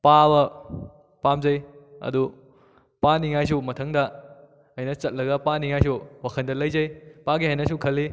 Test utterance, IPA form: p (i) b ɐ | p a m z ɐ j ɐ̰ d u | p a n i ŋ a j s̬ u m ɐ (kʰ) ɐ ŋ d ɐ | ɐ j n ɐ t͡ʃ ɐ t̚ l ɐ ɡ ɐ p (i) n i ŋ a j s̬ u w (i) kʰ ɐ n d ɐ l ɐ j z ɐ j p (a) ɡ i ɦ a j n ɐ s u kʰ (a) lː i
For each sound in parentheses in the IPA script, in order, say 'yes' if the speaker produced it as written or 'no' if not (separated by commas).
no, no, no, no, yes, no